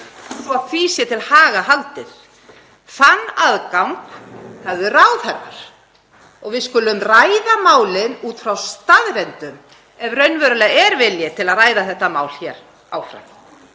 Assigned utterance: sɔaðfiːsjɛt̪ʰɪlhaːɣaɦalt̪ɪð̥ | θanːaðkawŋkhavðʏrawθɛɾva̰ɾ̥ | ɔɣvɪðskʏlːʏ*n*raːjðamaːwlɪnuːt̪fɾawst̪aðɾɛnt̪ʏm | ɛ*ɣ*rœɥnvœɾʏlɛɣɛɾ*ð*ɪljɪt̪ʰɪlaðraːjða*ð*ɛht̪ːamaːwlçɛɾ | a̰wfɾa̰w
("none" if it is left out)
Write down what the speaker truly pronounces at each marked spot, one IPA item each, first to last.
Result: m, v, v, θ

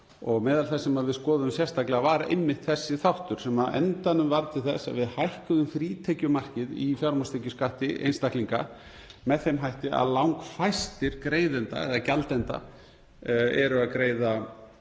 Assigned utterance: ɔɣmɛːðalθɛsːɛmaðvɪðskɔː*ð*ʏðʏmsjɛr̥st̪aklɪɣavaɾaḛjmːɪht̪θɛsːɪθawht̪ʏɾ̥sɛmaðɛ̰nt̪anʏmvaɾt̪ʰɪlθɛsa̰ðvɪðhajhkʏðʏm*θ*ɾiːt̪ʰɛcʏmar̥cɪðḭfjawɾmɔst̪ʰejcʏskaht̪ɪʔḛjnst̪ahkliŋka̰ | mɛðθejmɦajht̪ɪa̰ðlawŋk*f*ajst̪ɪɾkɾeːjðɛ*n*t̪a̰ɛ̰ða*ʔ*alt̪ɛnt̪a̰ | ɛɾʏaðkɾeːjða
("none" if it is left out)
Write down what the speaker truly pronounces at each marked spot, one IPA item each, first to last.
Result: ð, f, f, n, c

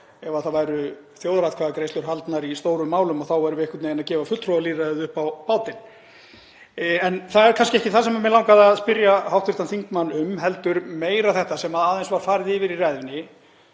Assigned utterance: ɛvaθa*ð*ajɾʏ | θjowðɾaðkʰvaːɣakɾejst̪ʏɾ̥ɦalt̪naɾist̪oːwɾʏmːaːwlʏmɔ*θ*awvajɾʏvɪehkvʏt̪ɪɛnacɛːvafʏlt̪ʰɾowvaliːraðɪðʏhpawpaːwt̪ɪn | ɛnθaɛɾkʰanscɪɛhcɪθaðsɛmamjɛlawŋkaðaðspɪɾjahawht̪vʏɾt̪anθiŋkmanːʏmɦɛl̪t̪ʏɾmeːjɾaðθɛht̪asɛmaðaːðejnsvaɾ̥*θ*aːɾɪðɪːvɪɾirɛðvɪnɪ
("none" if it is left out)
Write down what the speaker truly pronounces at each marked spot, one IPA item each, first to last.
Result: v, θ, f

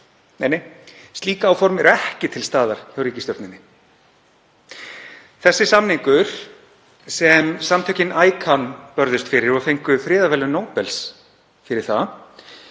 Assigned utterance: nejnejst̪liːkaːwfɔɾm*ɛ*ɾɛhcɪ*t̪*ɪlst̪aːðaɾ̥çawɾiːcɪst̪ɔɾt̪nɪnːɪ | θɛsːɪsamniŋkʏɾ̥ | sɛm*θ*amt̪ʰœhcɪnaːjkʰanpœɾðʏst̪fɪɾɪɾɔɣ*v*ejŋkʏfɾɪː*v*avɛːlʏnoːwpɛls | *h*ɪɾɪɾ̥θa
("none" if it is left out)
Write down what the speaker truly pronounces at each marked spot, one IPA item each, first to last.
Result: ɛ, t̪ʰ, s, f, ð, f

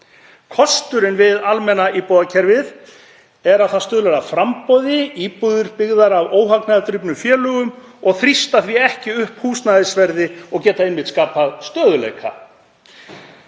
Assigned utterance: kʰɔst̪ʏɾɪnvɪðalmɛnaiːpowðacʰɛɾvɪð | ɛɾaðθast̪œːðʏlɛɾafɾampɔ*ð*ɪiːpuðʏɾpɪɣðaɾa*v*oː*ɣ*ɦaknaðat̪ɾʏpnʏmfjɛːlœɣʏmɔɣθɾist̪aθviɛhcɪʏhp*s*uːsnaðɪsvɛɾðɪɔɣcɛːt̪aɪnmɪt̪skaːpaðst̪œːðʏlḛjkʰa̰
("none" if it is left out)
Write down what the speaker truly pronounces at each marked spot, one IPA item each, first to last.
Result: ð, v, w, h

